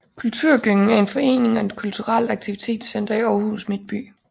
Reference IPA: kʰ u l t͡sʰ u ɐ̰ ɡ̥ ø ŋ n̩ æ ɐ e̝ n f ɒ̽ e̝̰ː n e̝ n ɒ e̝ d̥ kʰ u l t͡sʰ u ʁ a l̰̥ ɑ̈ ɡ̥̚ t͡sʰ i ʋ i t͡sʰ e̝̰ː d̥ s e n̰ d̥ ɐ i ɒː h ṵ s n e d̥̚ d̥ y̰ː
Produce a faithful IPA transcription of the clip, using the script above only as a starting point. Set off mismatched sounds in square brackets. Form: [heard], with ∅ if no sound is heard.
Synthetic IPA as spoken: kʰ u l t͡sʰ u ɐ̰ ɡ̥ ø ŋ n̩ æ ɐ e̝ n f ɒ̽ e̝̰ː n e̝ [ŋ] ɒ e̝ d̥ kʰ u l t͡sʰ u ʁ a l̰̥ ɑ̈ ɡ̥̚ t͡sʰ i ʋ i t͡sʰ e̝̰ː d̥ s e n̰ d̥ ɐ i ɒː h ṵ s [m] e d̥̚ [b̥] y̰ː